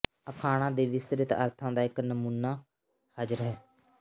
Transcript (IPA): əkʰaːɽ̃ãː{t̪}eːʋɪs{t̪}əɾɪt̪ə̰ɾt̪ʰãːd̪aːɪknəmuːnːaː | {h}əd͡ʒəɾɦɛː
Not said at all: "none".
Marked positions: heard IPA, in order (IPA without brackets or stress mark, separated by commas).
d̪, t̪, h